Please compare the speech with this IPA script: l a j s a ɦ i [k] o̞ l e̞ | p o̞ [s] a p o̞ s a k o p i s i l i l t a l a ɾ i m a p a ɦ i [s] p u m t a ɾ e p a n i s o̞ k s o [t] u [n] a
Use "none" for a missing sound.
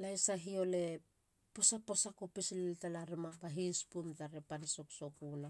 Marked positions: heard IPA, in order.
none, s, s, k, n

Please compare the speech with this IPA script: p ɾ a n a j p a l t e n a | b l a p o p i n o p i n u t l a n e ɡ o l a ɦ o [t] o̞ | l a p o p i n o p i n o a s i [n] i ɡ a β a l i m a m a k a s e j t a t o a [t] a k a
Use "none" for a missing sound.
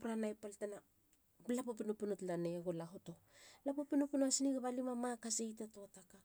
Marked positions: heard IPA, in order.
t, n, t

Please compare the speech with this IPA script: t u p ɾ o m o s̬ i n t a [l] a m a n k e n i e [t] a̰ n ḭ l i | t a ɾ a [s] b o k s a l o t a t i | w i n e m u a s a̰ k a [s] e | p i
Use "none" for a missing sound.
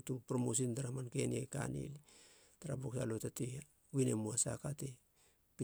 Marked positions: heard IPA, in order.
ɾ, k, none, t

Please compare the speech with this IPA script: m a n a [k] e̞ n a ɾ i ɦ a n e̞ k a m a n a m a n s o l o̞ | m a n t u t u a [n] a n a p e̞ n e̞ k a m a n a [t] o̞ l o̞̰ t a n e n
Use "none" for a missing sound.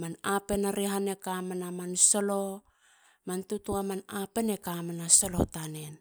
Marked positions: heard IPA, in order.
p, m, s

